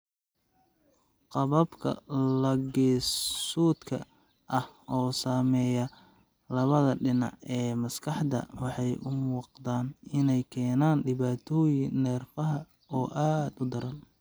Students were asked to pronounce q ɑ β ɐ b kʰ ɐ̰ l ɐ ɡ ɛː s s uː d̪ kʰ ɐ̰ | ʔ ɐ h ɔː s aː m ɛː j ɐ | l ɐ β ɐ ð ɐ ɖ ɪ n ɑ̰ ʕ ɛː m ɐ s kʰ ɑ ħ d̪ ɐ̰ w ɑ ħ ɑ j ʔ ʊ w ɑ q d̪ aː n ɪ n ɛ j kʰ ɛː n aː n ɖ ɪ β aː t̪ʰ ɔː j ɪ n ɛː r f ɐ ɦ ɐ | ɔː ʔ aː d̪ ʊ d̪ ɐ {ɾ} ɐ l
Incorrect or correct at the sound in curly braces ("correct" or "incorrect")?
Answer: correct